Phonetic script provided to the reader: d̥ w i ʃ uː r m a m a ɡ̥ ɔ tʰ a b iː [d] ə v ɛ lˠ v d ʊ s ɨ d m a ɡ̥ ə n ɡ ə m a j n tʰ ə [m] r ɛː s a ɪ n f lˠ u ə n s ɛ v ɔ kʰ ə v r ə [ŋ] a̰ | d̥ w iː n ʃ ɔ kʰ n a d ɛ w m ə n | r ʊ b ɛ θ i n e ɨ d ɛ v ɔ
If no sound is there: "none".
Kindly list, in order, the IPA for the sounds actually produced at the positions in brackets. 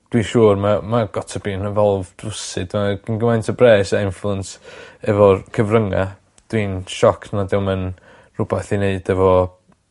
n, b, ŋ

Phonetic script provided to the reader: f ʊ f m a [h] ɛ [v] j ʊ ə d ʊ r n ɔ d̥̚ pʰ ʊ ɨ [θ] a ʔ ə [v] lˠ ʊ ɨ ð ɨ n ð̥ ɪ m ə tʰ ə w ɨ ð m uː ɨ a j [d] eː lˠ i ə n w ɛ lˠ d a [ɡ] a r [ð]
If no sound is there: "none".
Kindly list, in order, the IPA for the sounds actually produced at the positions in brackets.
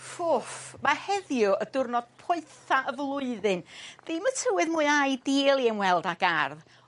h, ð, θ, v, d, ɡ, ð

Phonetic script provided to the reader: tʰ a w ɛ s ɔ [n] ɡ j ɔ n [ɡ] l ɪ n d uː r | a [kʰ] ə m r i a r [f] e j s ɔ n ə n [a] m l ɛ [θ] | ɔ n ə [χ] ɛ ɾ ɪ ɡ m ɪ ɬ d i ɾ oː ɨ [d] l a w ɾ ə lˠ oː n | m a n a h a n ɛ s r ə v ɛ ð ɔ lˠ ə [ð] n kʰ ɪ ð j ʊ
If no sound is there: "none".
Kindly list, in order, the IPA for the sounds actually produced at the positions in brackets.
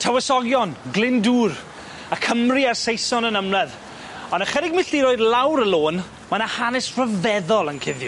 none, ɡ, kʰ, s, ə, ð, χ, d, none

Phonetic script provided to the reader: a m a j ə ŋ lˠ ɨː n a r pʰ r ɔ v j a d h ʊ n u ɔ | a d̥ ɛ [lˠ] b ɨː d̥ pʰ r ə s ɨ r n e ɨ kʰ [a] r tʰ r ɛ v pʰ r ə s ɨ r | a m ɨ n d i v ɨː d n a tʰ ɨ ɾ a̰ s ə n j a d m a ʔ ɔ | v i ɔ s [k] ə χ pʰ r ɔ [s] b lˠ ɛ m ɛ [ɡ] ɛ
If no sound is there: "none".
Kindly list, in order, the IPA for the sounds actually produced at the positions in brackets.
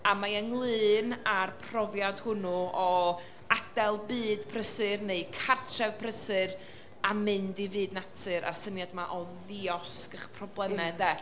lˠ, a, k, none, d

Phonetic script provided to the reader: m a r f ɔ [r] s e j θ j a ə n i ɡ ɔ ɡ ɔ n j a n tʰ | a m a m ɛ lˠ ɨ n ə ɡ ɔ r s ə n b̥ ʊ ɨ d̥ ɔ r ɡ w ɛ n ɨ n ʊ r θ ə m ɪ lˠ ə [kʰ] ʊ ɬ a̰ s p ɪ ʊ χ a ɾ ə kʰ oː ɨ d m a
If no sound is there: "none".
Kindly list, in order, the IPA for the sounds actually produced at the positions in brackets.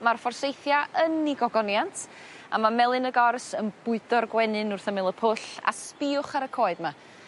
r, pʰ

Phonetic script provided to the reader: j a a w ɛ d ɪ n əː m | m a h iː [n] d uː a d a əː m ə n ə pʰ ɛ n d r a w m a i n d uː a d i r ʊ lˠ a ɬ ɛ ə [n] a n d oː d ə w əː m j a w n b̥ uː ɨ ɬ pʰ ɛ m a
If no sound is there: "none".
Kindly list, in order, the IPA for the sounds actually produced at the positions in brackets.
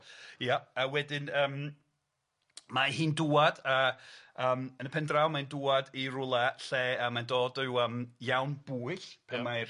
n, m

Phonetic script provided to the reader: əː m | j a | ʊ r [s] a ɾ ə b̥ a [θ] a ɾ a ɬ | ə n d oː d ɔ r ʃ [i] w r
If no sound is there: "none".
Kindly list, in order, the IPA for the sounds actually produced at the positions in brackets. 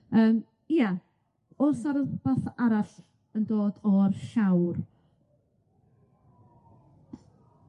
s, θ, a

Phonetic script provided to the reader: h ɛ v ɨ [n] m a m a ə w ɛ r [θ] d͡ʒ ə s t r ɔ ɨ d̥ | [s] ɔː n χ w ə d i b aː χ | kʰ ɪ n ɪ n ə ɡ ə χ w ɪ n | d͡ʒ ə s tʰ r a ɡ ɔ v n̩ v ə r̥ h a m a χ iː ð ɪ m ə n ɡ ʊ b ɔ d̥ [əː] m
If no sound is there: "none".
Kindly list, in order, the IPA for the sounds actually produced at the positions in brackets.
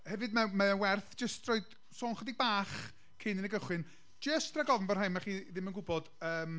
d, θ, s, əː

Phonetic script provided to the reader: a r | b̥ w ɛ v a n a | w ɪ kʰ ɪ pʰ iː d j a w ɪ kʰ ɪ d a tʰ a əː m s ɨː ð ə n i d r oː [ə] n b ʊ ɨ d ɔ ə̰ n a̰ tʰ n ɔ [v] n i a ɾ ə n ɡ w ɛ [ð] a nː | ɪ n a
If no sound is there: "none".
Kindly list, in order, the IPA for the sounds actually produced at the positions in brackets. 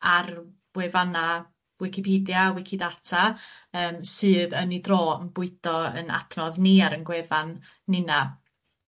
ə, ð, v

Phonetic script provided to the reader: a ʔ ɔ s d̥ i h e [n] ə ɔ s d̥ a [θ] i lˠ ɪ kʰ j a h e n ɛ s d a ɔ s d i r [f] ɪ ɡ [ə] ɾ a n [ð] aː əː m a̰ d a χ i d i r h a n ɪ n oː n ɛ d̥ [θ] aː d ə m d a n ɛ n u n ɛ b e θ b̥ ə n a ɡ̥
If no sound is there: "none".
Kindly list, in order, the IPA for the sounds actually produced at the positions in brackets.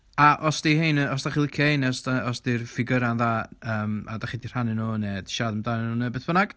n, χ, f, ə, ð, ʃ

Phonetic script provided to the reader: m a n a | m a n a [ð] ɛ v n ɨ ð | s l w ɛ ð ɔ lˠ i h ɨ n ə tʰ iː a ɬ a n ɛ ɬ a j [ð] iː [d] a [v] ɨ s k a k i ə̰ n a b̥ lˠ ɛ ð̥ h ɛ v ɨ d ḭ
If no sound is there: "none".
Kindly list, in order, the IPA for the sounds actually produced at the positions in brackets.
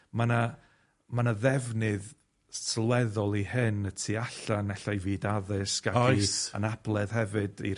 ð, v, d, ð

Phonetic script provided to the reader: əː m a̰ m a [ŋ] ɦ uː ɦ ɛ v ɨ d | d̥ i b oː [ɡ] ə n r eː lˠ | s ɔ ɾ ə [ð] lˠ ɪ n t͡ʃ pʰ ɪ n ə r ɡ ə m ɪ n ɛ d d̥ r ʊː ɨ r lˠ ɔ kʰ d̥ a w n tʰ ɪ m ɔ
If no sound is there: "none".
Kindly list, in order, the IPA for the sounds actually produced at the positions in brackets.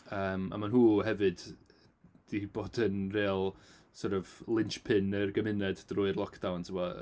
n, d, v

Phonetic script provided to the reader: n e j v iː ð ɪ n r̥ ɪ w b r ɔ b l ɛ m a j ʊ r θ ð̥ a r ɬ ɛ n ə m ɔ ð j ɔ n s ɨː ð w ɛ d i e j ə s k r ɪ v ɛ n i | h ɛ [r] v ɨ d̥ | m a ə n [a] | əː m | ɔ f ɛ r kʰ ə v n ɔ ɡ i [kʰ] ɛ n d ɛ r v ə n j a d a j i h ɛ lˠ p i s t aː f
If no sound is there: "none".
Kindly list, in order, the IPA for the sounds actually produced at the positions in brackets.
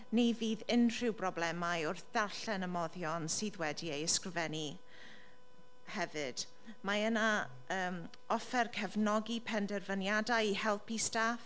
none, a, pʰ

